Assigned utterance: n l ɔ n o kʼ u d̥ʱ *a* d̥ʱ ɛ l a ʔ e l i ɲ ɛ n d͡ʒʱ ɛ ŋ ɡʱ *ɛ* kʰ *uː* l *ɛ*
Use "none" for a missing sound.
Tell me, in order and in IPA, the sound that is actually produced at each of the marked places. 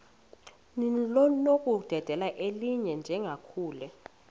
ɛ, a, uː, ɛ

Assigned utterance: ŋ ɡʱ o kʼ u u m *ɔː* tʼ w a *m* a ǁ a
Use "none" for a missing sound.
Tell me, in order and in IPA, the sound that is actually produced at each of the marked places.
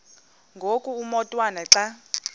ɔ, n

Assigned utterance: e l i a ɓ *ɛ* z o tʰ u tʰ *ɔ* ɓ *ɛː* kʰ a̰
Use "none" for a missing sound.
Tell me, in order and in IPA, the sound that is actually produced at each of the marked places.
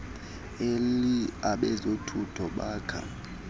ɛ, ɔ, aː

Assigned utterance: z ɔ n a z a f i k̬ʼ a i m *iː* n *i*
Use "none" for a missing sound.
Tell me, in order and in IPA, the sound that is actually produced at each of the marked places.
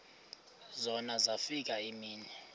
iː, ɛ

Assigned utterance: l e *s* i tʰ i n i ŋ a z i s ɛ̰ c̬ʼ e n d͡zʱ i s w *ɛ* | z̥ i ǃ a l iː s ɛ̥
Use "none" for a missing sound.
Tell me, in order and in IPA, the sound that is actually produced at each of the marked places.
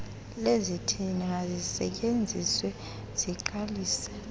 z, ɛ

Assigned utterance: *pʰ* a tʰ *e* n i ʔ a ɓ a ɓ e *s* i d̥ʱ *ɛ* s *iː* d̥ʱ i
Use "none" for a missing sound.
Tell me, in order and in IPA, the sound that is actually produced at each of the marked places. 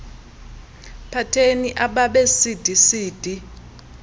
pʰ, e, s, i, iː

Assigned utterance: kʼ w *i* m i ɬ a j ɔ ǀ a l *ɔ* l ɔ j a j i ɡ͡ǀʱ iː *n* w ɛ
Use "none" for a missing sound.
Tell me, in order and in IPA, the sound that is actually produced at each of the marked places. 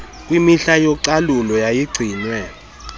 i, u, n

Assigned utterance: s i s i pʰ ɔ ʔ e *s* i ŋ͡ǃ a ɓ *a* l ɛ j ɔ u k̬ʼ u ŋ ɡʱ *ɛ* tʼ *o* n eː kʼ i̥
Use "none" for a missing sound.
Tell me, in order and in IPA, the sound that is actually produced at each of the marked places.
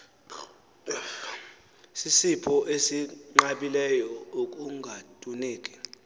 s, i, a, u

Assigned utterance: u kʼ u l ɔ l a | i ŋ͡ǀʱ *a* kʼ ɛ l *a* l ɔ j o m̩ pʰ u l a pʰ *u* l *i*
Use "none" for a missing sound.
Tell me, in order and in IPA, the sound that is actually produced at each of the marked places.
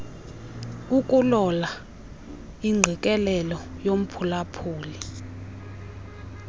i, ɛ, uː, i

